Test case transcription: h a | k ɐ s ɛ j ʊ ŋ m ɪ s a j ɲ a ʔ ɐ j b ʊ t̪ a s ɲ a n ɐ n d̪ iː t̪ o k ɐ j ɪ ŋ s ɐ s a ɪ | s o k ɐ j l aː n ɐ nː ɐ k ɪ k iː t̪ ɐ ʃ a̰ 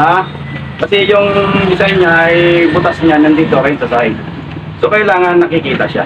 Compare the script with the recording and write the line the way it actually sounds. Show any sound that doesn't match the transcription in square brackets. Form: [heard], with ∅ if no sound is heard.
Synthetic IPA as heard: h a | k ɐ s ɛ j ʊ ŋ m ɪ s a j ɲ a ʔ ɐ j b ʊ t̪ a s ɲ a n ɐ n d̪ iː t̪ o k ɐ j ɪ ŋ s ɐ s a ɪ | s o k ɐ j l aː [ŋ] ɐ nː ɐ k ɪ k iː t̪ ɐ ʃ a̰